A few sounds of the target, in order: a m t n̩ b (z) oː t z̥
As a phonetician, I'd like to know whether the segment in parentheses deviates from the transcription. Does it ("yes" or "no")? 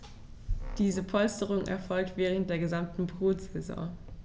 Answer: yes